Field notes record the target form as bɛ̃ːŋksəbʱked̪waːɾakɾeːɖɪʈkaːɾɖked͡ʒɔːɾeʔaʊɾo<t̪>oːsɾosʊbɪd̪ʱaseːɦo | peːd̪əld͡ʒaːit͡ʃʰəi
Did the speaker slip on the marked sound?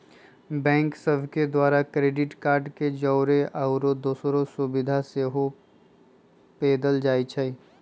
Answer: yes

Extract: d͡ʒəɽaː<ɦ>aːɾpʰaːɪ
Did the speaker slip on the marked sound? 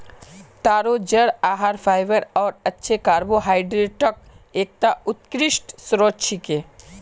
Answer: no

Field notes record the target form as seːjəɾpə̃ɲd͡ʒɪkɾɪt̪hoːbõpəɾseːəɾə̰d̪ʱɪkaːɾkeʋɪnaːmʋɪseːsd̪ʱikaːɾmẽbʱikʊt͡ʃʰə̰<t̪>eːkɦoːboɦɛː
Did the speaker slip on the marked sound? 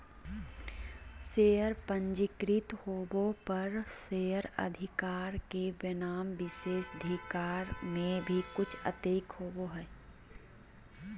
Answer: no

